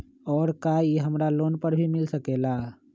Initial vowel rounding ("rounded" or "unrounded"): rounded